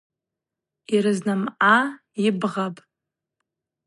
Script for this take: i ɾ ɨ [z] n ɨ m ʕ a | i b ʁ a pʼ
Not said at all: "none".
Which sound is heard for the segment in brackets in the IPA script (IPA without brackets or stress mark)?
z